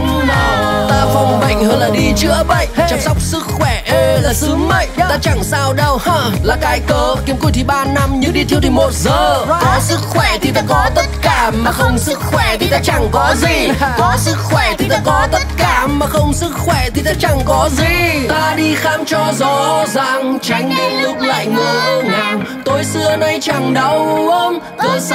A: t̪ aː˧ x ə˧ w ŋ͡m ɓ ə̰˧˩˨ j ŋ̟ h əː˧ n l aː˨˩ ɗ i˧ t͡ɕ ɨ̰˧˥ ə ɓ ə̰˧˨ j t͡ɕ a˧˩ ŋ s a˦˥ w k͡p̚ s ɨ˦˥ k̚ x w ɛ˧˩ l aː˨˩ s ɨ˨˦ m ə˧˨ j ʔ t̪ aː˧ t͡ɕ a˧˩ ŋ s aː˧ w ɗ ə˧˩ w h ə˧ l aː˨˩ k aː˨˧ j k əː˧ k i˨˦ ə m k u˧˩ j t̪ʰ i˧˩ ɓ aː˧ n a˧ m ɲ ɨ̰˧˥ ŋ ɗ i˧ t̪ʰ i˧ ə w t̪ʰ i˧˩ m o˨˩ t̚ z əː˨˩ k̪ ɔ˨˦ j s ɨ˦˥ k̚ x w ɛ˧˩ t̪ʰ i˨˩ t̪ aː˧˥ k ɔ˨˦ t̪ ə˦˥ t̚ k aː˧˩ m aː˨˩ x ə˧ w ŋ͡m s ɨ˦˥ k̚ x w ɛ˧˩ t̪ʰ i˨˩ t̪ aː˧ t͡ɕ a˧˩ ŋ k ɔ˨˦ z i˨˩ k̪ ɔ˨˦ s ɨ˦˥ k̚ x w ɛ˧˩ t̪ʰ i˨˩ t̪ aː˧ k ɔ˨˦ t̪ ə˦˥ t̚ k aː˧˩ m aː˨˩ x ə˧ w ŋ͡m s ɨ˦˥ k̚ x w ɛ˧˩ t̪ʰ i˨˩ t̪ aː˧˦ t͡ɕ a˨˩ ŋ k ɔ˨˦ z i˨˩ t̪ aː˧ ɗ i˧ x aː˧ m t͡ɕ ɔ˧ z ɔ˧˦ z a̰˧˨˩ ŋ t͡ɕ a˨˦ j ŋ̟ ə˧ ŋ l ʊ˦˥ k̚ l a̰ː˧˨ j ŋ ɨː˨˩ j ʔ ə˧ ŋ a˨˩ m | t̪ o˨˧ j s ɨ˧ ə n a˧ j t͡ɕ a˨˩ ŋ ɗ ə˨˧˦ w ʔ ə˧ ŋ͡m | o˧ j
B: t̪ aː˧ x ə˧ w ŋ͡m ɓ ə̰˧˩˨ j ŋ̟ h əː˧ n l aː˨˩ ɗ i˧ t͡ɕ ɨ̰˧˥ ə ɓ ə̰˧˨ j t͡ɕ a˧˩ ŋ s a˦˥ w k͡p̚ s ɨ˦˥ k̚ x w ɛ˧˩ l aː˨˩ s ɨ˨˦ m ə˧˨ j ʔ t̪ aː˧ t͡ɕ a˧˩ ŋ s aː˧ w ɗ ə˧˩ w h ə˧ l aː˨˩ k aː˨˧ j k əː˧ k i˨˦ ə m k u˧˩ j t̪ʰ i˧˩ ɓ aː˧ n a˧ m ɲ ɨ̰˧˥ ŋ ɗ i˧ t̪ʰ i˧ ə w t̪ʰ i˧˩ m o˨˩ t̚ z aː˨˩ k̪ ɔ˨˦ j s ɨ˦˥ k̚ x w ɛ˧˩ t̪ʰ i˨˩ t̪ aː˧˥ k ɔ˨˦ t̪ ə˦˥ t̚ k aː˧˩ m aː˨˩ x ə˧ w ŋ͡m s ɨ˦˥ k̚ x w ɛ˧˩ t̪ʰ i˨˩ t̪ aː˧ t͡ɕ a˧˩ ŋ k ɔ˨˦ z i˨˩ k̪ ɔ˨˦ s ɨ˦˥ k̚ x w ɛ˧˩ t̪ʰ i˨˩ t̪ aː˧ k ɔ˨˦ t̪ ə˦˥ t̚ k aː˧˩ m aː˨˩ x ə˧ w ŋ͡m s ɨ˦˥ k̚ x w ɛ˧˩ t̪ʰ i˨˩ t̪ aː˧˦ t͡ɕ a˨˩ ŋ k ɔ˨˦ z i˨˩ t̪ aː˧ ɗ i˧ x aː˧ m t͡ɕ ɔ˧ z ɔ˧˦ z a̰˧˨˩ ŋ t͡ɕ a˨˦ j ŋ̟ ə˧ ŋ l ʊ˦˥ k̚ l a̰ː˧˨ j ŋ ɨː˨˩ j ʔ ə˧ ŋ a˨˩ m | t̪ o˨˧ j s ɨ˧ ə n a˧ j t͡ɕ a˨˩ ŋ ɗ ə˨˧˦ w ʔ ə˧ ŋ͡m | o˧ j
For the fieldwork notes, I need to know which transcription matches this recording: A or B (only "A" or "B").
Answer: A